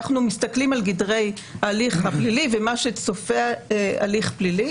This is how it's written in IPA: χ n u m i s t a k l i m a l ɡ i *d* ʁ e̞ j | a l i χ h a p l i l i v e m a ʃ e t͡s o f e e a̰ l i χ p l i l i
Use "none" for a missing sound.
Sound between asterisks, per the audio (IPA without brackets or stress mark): d